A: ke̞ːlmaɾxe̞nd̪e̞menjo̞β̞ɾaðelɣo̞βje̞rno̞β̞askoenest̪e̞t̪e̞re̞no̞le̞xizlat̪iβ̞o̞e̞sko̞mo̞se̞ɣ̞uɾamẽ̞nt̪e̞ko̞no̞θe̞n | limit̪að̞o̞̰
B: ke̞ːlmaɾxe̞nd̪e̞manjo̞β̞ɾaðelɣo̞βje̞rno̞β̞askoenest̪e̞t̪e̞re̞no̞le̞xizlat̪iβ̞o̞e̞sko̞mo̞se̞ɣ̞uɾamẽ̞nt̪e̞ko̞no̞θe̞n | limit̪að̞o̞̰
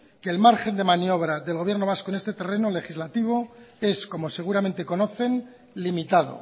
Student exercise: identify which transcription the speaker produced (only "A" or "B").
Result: B